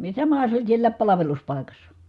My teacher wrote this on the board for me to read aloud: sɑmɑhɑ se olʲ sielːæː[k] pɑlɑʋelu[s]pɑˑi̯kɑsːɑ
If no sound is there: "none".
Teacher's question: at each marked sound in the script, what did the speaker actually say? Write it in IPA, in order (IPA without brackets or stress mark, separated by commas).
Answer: p, s